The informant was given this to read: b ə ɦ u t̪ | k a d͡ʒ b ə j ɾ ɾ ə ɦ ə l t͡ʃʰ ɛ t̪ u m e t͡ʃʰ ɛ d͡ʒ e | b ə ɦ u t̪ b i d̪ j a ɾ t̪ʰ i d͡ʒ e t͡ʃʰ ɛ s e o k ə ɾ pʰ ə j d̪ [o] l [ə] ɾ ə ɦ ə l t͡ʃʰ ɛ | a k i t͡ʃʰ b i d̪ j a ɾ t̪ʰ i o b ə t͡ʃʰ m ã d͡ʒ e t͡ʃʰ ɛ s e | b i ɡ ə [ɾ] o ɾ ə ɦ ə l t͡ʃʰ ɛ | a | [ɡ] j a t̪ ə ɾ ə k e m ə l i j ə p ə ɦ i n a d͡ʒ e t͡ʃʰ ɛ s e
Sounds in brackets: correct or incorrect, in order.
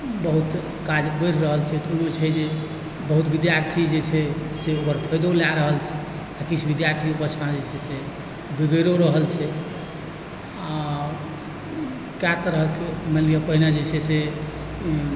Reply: correct, incorrect, correct, incorrect

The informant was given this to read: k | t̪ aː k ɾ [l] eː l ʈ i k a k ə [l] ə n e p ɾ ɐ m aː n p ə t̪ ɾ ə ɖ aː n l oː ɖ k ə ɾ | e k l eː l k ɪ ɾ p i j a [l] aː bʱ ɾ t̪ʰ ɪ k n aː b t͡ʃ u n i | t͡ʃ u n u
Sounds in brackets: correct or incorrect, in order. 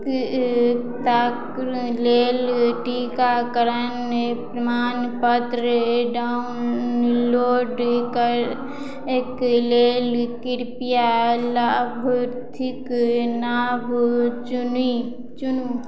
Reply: correct, incorrect, correct

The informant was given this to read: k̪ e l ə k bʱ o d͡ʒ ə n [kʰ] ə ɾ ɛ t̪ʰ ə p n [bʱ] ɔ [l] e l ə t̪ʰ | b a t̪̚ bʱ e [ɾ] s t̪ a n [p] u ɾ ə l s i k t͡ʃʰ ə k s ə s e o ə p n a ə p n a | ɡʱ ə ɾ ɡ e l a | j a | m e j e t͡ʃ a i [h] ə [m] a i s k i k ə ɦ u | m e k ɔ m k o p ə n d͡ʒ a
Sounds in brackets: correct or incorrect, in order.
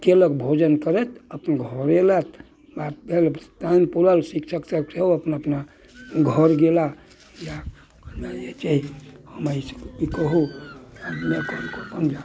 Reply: incorrect, incorrect, incorrect, incorrect, correct, correct, correct

